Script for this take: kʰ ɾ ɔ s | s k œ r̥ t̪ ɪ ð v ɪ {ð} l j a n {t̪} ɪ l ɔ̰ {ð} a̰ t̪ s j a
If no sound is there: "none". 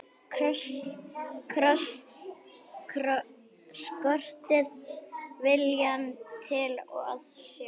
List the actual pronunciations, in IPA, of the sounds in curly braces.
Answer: none, t̪ʰ, ɣ

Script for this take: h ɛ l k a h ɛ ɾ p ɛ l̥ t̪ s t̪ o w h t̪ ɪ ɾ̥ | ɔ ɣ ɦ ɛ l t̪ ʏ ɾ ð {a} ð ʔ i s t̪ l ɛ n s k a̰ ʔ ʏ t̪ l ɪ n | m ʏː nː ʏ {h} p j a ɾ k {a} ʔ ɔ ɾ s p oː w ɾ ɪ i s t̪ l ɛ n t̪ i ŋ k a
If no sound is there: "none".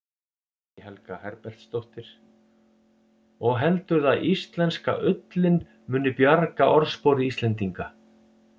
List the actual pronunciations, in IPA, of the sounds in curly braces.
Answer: a, none, a

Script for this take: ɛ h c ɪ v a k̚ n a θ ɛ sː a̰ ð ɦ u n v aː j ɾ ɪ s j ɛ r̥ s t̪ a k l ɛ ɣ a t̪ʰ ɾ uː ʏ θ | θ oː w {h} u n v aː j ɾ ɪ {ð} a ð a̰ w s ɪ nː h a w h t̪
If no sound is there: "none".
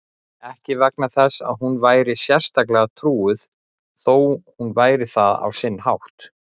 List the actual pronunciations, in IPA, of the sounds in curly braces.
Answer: h, θ

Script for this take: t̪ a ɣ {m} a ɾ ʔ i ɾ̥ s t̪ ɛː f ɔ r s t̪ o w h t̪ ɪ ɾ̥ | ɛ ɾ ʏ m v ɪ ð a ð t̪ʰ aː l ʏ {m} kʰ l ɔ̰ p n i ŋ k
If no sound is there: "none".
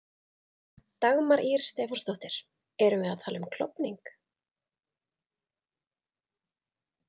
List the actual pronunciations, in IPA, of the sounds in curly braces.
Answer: m, m

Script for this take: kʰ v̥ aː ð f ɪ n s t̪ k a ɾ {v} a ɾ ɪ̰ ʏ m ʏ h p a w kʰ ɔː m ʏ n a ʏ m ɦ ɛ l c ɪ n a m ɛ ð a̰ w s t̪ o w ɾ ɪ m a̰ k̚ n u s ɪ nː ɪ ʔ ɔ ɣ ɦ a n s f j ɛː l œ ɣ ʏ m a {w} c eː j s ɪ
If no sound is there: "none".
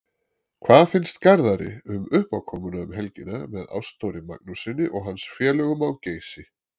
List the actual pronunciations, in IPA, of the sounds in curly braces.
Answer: ð, w

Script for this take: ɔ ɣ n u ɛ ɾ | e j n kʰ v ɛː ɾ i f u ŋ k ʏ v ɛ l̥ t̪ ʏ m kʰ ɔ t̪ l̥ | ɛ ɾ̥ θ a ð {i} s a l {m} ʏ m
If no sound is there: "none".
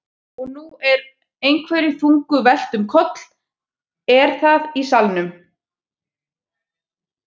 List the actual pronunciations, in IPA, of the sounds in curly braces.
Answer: i, n

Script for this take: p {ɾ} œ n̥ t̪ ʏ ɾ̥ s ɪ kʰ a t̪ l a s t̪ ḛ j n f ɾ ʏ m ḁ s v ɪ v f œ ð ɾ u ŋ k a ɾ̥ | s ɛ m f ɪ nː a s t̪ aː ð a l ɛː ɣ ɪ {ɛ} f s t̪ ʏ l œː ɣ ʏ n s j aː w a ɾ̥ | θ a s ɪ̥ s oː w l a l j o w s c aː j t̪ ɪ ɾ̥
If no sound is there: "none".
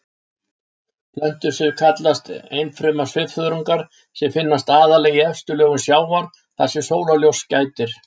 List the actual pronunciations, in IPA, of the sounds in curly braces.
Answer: l, ɛ

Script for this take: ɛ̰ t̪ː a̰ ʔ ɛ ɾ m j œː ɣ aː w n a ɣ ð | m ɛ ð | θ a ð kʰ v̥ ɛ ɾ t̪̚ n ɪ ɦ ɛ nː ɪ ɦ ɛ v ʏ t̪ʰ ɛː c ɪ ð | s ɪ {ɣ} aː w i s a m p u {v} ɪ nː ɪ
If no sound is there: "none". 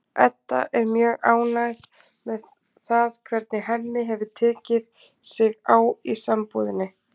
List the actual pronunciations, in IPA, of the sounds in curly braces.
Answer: ɣ, ð

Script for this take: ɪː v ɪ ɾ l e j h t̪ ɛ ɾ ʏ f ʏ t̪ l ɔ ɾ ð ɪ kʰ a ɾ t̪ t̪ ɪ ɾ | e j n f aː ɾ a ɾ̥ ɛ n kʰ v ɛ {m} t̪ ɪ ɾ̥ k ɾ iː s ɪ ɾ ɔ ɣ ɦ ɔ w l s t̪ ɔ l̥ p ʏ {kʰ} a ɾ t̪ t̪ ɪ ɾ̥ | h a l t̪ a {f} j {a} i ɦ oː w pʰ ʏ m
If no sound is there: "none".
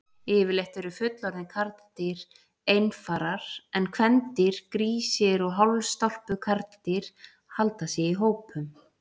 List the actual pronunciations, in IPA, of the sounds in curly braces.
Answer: n, kʰ, s, ɛ

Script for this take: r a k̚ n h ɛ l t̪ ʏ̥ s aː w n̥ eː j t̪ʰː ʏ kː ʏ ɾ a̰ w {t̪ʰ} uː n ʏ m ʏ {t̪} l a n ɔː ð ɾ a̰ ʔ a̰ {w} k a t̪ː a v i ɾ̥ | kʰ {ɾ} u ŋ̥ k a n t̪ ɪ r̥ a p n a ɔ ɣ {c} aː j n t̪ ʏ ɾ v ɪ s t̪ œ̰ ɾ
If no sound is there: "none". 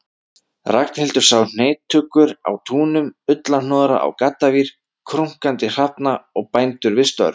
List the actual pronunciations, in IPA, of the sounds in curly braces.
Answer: t̪ʰ, t̪, w, ɾ, p

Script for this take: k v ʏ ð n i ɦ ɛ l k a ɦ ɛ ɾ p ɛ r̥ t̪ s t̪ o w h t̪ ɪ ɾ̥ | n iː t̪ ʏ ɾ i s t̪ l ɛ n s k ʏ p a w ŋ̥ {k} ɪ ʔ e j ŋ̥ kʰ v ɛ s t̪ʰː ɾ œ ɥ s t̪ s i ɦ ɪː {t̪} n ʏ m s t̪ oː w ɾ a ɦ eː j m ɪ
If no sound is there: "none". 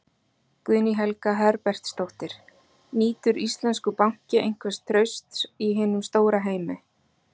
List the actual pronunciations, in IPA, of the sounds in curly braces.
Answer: c, none

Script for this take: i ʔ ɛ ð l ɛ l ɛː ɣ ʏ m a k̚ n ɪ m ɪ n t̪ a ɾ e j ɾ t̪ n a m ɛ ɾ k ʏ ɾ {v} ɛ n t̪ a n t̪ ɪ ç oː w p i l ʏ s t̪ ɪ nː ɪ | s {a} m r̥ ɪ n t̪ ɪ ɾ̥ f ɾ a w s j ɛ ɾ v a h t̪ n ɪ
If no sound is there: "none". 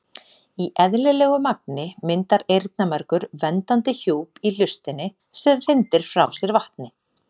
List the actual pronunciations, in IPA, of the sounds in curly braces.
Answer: v, ɛ

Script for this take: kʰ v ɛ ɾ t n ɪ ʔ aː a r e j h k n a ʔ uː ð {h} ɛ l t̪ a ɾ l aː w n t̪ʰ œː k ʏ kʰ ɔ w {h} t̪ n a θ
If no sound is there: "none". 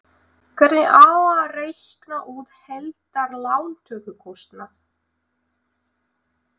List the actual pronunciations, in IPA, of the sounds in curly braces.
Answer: h, s

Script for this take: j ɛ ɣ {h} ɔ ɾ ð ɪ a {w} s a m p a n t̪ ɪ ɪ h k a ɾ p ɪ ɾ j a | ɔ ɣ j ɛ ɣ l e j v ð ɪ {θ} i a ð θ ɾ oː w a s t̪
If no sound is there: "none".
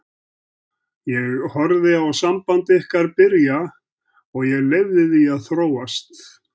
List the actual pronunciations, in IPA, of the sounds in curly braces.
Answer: h, w, ð

